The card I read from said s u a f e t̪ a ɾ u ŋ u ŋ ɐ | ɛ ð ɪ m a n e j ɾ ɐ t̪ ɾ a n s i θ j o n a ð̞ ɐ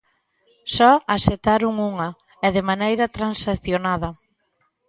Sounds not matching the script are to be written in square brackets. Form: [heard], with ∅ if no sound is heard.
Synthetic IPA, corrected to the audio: s [ɔ] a [s] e t̪ a ɾ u ŋ u ŋ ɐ | ɛ ð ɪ m a n e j ɾ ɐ t̪ ɾ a n s [a] θ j o n a ð̞ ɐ